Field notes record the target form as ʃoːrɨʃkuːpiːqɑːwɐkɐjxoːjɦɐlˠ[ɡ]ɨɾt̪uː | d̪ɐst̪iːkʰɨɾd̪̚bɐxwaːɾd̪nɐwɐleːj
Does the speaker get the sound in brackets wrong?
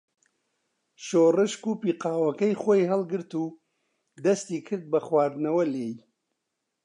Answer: no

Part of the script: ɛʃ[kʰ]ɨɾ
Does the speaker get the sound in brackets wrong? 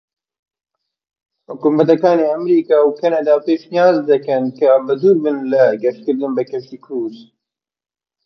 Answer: yes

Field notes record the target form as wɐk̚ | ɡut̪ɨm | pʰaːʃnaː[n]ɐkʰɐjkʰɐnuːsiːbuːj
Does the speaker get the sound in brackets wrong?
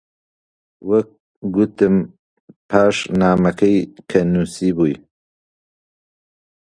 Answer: yes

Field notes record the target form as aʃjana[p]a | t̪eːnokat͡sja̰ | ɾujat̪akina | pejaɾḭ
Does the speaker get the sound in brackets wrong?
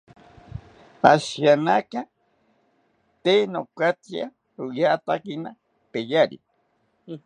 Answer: yes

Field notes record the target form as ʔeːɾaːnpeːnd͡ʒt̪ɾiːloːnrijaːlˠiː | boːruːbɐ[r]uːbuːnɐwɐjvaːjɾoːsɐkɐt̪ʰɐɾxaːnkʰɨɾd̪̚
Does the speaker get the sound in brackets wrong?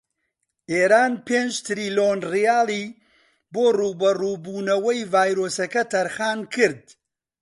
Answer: no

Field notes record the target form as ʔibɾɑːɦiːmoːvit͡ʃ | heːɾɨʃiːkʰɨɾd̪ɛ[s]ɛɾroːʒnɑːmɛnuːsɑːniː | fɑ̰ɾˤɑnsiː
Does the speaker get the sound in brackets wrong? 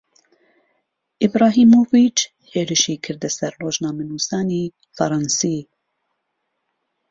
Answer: no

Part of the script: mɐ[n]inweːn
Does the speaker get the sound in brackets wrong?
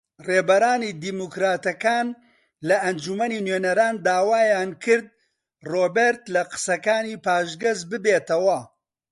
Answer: no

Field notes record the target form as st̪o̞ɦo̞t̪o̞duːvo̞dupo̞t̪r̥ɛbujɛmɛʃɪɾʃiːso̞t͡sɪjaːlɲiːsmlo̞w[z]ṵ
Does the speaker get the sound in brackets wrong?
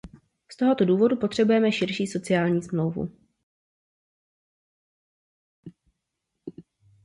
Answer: yes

